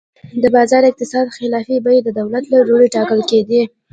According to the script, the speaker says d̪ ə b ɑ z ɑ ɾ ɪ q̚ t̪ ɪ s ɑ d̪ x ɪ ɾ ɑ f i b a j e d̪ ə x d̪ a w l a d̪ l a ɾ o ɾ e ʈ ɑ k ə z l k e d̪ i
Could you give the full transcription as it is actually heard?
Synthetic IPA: d̪ ə b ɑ z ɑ ɾ ɪ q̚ t̪ ɪ s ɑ d̪ x ɪ l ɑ f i b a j e d̪ ə d̪ a w l a t̪ l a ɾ o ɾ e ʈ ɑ k ə l k e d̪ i